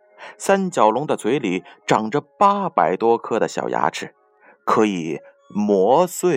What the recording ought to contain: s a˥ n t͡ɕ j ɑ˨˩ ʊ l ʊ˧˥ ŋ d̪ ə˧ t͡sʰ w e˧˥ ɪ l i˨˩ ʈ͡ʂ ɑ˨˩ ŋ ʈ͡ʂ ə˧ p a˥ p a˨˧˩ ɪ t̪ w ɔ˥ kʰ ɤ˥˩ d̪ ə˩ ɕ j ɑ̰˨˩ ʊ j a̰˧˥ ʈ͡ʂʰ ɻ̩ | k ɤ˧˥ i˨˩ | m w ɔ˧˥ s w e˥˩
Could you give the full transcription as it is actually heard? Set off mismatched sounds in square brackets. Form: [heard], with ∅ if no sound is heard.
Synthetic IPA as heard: s a˥ n t͡ɕ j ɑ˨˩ ʊ l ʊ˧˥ ŋ d̪ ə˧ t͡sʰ w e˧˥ ɪ l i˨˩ ʈ͡ʂ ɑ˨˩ ŋ ʈ͡ʂ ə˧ p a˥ p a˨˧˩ ɪ t̪ w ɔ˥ kʰ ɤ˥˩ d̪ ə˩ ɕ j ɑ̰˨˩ ʊ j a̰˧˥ ʈ͡ʂʰ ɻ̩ | [kʰ] ɤ˧˥ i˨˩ | m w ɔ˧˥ s w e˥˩